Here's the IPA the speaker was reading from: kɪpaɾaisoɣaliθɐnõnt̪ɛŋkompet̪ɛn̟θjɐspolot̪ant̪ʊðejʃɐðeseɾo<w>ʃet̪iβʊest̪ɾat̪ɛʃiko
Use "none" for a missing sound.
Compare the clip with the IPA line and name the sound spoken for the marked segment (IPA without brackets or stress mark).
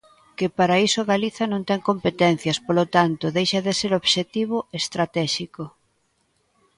β